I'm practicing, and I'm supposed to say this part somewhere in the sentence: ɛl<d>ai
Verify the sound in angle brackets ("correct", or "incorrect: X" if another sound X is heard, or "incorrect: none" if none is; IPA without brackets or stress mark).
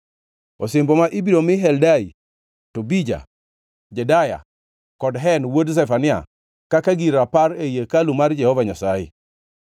correct